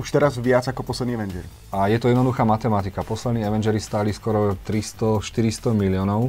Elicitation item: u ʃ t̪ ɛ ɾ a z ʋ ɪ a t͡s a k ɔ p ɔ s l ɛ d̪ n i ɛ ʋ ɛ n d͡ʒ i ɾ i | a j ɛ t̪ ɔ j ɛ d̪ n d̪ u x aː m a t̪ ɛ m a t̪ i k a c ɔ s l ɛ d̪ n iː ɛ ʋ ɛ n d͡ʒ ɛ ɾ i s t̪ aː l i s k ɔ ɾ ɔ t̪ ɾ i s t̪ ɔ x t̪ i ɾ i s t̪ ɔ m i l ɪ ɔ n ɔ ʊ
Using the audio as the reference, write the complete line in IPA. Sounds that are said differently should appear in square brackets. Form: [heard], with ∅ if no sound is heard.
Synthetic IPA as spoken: u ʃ t̪ ɛ ɾ a z ʋ ɪ a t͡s a k ɔ p ɔ s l ɛ d̪ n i ɛ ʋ ɛ n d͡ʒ [ɛ] ɾ i | a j ɛ t̪ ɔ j ɛ d̪ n d̪ u x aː m a t̪ ɛ m a t̪ i k a [p] ɔ s l ɛ d̪ n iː ɛ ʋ ɛ n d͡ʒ ɛ ɾ i s t̪ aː l i s k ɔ ɾ ɔ t̪ ɾ i s t̪ ɔ [ʃ] t̪ i ɾ i s t̪ ɔ m i l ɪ ɔ n ɔ ʊ